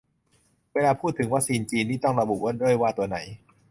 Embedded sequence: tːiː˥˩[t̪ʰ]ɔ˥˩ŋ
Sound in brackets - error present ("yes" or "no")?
yes